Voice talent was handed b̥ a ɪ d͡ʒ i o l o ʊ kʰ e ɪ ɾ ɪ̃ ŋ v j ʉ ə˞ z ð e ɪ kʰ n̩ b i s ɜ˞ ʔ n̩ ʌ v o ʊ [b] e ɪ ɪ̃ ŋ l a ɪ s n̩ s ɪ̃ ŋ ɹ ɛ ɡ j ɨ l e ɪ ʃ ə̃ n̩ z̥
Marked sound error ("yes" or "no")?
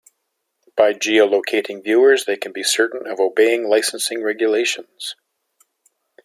no